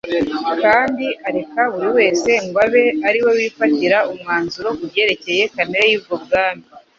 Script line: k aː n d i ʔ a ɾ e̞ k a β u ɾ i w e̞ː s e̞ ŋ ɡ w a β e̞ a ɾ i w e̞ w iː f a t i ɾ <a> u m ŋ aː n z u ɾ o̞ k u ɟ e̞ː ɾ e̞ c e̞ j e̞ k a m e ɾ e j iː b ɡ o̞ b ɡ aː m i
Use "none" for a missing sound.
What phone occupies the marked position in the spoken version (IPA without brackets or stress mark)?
a